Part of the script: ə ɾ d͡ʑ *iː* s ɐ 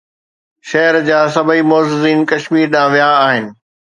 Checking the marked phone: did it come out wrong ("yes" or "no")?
yes